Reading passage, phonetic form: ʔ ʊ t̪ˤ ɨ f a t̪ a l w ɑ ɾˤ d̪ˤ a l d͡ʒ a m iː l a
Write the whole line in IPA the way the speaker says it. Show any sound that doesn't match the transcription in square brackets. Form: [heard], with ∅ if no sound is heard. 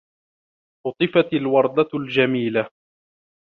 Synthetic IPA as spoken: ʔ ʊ t̪ˤ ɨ f a t̪ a l w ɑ ɾˤ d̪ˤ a l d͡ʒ a m iː l a